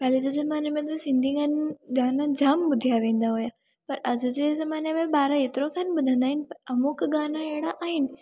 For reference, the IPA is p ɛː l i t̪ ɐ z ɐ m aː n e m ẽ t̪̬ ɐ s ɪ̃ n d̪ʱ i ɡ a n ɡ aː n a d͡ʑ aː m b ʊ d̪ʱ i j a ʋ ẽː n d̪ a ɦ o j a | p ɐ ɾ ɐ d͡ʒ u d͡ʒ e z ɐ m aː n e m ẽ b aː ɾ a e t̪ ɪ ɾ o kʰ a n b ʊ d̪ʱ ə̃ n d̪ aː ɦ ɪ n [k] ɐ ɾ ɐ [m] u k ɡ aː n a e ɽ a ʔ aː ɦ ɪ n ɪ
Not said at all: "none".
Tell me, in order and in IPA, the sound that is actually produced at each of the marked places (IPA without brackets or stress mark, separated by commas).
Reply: p, m